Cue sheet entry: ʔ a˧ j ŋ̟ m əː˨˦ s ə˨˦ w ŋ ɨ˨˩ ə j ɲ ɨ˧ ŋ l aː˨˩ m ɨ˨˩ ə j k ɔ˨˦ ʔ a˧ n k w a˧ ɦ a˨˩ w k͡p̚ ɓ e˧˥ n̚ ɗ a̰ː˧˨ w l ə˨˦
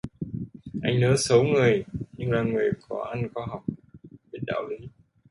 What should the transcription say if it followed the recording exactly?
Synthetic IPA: ʔ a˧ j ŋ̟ n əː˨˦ s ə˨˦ w ŋ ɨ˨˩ ə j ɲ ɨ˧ ŋ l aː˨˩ ŋ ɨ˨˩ ə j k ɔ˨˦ ʔ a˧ n k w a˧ ɦ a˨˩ w k͡p̚ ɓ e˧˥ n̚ ɗ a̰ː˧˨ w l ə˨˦